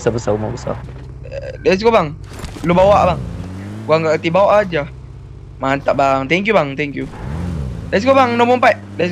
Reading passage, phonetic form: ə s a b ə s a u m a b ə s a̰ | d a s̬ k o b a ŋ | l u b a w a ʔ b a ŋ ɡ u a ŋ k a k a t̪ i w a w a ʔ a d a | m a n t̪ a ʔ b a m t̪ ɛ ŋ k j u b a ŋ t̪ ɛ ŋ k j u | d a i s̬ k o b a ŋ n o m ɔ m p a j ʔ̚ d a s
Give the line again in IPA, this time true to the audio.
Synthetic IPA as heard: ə s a b ə s a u m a b ə s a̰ | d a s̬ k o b a ŋ | l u b a w a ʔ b a ŋ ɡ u a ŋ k a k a t̪ i b a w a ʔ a d͡ʒ a | m a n t̪ a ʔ b a ŋ t̪ ɛ ŋ k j u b a ŋ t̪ ɛ ŋ k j u | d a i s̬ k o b a ŋ n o m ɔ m p a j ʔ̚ d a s